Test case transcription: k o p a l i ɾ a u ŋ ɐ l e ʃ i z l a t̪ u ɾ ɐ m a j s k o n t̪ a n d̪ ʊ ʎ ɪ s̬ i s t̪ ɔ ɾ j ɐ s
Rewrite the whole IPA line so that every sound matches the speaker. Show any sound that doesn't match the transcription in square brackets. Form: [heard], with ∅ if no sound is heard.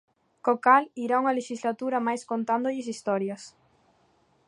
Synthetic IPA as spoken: k o [k] a l i ɾ a u ŋ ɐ l e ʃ i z l a t̪ u ɾ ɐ m a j s k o n t̪ a n d̪ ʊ ʎ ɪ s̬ i s t̪ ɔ ɾ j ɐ s